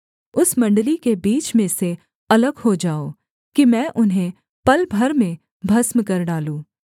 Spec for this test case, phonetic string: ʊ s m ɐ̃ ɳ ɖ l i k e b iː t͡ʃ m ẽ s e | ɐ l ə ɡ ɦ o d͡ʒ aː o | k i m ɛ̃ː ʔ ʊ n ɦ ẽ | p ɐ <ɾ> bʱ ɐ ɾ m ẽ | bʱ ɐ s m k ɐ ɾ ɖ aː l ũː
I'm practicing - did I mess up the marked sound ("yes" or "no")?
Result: yes